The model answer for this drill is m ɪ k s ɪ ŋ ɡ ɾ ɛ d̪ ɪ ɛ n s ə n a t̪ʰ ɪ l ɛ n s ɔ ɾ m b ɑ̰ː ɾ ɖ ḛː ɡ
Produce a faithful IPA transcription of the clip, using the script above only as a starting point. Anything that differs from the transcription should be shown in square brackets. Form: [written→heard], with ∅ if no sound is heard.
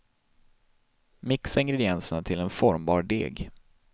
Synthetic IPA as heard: m ɪ k s ɪ ŋ ɡ ɾ ɛ d̪ ɪ ɛ n s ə n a t̪ʰ ɪ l ɛ n [s→f] ɔ ɾ m b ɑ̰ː ɾ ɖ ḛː ɡ